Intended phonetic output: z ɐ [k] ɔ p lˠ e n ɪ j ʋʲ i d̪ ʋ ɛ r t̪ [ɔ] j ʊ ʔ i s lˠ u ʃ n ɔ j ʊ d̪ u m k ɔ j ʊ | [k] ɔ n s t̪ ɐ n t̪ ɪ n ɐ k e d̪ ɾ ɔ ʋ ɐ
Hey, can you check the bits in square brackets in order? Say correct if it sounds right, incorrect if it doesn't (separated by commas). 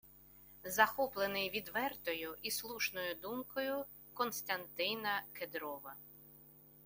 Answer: incorrect, correct, correct